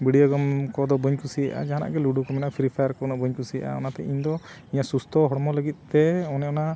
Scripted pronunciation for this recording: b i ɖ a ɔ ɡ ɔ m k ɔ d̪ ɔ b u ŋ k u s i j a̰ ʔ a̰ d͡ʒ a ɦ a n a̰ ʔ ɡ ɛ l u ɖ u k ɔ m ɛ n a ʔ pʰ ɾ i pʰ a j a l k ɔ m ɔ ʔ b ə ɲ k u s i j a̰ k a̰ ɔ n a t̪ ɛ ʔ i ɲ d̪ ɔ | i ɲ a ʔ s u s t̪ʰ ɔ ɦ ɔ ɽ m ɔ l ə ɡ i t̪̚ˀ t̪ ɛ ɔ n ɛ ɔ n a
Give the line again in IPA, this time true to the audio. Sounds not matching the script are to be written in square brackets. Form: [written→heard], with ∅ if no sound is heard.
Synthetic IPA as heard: b i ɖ [a→i] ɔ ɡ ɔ m k ɔ d̪ ɔ b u [ŋ→ɲ] k u s i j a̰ ʔ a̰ d͡ʒ a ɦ a n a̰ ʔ ɡ ɛ l u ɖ u k ɔ m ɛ n a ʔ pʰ ɾ i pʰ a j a [l→ɾ] k ɔ [m→n] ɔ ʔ b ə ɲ k u s i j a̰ [k→ʔ] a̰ ɔ n a t̪ ɛ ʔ i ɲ d̪ ɔ | i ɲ a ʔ s u s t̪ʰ ɔ ɦ ɔ ɽ m ɔ l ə ɡ i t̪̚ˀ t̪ ɛ ɔ n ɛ ɔ n a

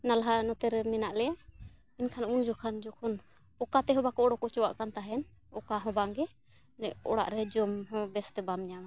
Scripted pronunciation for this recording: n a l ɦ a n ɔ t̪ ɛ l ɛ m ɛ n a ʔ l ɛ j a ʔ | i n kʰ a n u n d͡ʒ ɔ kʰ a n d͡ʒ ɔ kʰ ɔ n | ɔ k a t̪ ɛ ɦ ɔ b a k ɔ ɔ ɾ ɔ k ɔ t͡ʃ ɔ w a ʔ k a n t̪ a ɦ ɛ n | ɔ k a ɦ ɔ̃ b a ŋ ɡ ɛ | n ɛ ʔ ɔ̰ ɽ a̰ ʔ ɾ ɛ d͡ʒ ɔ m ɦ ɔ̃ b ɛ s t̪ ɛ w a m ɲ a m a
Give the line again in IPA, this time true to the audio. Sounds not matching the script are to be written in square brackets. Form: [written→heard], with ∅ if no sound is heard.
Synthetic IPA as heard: n a l ɦ a n ɔ t̪ ɛ [l→ɾ] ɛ m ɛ n a ʔ l ɛ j a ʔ | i n kʰ a n u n d͡ʒ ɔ kʰ a n d͡ʒ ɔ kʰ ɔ n | ɔ k a t̪ ɛ ɦ ɔ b a k ɔ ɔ [ɾ→ɽ] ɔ k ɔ t͡ʃ ɔ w a ʔ k a n t̪ a ɦ ɛ n | ɔ k a ɦ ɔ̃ b a ŋ ɡ ɛ | n ɛ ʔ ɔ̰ ɽ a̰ ʔ ɾ ɛ d͡ʒ ɔ m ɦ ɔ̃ b ɛ s t̪ ɛ [w→b] a m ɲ a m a

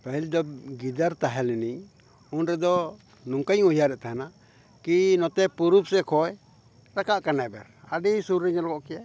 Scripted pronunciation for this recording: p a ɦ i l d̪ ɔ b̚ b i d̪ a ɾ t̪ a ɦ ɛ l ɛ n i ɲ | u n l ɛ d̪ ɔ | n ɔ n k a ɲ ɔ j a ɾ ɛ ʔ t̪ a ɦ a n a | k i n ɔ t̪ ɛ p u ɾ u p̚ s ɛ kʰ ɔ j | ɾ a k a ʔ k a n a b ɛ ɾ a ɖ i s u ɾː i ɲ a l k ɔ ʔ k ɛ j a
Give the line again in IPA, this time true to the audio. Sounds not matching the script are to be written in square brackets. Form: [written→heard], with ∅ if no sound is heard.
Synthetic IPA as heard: p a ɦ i l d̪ ɔ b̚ [b→ɡ] i d̪ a ɾ t̪ a ɦ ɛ l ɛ n i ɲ | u n [l→ɾ] ɛ d̪ ɔ | n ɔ [n→ŋ] k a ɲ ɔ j a ɾ ɛ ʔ t̪ a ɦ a n a | k i n ɔ t̪ ɛ p u ɾ u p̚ s ɛ kʰ ɔ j | ɾ a k a ʔ k a n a b ɛ ɾ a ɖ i s u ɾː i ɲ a l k ɔ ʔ k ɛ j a

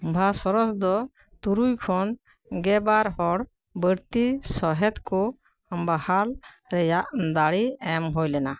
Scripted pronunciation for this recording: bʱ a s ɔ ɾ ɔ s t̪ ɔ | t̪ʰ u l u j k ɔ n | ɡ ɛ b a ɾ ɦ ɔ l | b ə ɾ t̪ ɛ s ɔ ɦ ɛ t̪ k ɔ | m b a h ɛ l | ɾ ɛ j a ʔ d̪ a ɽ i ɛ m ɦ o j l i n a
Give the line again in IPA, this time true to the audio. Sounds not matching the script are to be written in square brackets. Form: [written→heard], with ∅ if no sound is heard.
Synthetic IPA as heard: bʱ a s ɔ ɾ ɔ s [t̪→d̪] ɔ | [t̪ʰ→t̪] u [l→ɾ] u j [k→kʰ] ɔ n | ɡ ɛ b a ɾ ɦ ɔ [l→ɽ] | b ə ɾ t̪ [ɛ→i] s ɔ ɦ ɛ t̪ k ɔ | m b a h [ɛ→a] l | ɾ ɛ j a ʔ d̪ a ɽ i ɛ m ɦ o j l [i→ɛ] n a

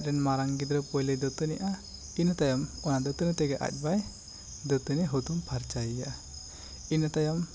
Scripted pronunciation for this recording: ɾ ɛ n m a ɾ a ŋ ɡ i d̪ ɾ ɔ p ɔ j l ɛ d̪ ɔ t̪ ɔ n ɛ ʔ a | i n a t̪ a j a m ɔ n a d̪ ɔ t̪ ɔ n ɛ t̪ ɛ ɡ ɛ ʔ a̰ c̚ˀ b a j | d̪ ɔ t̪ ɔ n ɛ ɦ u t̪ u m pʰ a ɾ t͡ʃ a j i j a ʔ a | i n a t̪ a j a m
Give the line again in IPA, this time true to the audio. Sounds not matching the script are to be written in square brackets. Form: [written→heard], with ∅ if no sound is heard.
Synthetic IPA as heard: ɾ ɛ n m a ɾ a ŋ ɡ i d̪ ɾ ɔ p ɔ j l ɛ d̪ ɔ t̪ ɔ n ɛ ʔ a | i n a t̪ a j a m ɔ n a d̪ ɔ t̪ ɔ n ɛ t̪ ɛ ɡ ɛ ʔ a̰ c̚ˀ b a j | d̪ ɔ t̪ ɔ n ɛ ɦ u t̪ u m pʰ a ɾ t͡ʃ a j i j a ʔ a | i n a t̪ a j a m

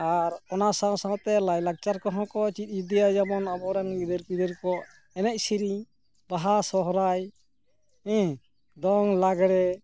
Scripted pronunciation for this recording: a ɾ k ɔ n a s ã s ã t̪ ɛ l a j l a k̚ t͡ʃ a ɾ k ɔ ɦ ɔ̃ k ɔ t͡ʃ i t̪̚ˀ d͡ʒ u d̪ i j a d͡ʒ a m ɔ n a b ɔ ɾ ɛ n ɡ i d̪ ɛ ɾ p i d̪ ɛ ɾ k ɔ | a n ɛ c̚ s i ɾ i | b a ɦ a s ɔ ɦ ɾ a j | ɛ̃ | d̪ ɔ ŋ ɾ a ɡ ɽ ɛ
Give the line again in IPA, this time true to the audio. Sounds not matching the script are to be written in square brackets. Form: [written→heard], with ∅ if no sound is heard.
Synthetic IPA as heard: a ɾ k ɔ n a s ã s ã t̪ ɛ l a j l a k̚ t͡ʃ a ɾ k ɔ ɦ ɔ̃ k ɔ t͡ʃ i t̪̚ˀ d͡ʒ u d̪ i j a d͡ʒ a m ɔ n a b ɔ ɾ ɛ n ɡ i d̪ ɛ ɾ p i d̪ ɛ ɾ k ɔ | [a→ɛ] n ɛ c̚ s i ɾ i | b a ɦ a s ɔ ɦ ɾ a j | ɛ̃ | d̪ ɔ ŋ [ɾ→l] a ɡ ɽ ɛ

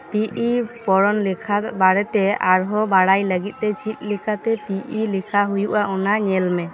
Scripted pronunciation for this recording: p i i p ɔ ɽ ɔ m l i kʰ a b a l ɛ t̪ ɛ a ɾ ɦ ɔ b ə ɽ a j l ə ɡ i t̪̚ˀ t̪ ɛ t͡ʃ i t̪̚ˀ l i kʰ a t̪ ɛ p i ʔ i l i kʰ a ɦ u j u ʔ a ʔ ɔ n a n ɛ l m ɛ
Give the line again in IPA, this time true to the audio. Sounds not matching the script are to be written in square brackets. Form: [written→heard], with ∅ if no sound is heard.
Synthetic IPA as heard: p i i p ɔ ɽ ɔ [m→n] l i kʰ a b a [l→ɽ] ɛ t̪ ɛ a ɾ ɦ ɔ b [ə→a] ɽ a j l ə ɡ i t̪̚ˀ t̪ ɛ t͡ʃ i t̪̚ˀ l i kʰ a t̪ ɛ p i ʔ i l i kʰ a ɦ u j u ʔ a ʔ ɔ n a [n→ɲ] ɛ l m ɛ

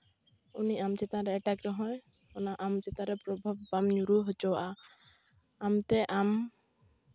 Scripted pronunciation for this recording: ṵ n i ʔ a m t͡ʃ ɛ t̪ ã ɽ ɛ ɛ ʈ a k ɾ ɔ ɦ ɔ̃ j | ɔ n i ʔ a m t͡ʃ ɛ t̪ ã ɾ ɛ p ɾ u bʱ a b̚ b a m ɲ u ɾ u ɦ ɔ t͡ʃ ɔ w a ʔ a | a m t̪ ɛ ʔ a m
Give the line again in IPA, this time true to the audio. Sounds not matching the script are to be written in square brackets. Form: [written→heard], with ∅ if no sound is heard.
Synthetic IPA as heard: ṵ n i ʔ a m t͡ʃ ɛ t̪ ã [ɽ→ɾ] ɛ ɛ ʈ a k ɾ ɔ ɦ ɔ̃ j | ɔ n [i→a] ʔ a m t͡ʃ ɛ t̪ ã ɾ ɛ p ɾ [u→ɔ] bʱ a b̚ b a m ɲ u ɾ u ɦ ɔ t͡ʃ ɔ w a ʔ a | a m t̪ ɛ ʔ a m

